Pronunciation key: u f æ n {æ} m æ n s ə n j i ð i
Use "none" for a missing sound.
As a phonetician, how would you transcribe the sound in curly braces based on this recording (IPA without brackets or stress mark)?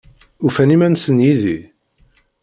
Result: i